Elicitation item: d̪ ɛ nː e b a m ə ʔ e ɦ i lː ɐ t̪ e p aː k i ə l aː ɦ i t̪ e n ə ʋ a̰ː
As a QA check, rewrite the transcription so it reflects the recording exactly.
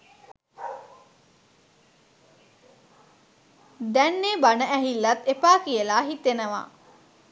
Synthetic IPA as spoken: d̪ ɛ nː e b a n ə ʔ æ ɦ i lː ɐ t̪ e p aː k i ə l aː ɦ i t̪ e n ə ʋ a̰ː